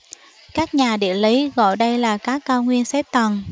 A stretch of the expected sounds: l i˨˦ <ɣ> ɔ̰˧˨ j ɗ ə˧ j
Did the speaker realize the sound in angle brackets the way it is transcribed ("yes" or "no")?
yes